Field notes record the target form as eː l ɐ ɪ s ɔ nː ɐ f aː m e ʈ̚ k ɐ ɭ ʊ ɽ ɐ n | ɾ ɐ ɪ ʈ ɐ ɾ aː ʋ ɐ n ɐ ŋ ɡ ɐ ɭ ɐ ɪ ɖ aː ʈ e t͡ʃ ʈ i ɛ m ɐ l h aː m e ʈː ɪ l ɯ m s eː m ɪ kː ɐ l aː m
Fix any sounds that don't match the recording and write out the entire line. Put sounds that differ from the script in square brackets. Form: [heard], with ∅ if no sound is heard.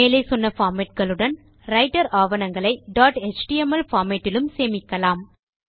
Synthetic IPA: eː l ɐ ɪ s ɔ nː ɐ f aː m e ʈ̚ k ɐ ɭ [ɯ] ɽ ɐ n | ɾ ɐ ɪ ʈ ɐ ɾ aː ʋ ɐ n ɐ ŋ ɡ ɐ ɭ ɐ ɪ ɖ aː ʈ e t͡ʃ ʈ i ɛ m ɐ l [f] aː m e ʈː ɪ l ɯ m s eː m ɪ kː ɐ l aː m